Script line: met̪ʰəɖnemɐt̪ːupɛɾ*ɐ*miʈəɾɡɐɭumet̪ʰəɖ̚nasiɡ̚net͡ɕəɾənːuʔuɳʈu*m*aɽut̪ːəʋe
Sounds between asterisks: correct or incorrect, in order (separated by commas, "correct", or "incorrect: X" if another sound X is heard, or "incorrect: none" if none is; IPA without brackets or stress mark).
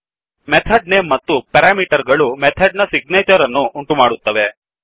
incorrect: a, correct